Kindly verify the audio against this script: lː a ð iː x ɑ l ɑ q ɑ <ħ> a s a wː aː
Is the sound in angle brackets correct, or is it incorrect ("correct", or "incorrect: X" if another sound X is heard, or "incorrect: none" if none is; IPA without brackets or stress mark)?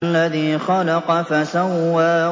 incorrect: f